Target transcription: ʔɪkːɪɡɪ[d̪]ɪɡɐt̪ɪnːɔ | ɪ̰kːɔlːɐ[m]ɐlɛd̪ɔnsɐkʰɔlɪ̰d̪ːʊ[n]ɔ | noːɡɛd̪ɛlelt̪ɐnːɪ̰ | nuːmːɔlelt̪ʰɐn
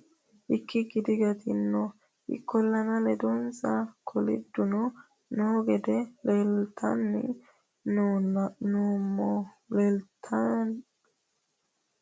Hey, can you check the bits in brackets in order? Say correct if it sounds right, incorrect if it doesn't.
correct, incorrect: n, correct

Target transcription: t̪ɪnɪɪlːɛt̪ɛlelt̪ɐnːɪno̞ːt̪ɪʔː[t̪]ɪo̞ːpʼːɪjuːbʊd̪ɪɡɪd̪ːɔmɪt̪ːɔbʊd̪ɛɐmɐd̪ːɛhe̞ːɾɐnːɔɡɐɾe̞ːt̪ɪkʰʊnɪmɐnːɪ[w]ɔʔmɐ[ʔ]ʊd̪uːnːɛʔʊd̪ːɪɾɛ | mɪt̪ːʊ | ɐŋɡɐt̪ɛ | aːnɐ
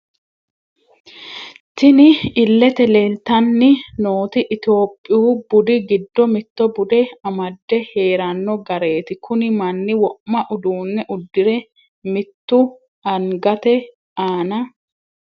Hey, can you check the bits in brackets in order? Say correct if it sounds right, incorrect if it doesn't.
correct, correct, correct

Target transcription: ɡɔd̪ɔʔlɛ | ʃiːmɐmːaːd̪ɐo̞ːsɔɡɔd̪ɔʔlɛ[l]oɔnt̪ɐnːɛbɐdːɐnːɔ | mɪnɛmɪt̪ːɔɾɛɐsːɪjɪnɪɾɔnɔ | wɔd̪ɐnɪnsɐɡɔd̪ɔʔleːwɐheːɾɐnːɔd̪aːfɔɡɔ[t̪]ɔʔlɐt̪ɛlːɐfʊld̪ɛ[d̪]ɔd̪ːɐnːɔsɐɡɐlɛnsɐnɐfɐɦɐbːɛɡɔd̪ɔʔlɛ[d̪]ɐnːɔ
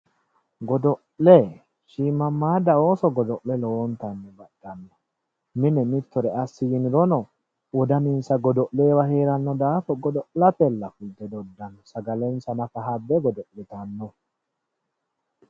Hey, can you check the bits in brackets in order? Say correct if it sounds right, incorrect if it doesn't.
correct, incorrect: d̪, correct, incorrect: t̪

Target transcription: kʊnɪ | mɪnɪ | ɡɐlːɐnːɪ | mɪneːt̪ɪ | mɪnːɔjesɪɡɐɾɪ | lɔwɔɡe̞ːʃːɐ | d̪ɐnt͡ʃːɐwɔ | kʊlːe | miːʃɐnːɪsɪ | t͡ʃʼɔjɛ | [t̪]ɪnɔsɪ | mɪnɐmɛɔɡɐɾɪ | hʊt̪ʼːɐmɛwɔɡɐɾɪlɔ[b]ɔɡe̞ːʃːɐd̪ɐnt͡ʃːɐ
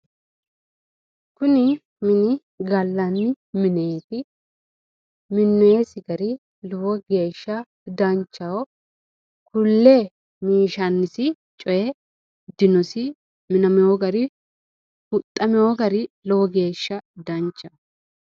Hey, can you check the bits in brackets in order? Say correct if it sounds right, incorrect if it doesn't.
incorrect: d̪, incorrect: w

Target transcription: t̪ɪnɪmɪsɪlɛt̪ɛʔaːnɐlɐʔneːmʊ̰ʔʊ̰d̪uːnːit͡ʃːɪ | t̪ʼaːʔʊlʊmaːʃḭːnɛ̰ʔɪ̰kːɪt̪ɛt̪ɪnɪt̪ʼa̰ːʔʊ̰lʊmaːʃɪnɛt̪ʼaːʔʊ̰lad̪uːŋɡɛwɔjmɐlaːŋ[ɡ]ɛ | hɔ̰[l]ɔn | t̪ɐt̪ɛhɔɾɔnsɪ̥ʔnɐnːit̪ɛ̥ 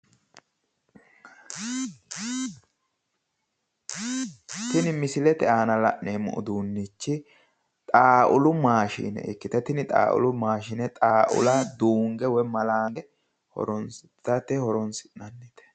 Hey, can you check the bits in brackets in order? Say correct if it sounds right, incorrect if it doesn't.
correct, incorrect: ɾ

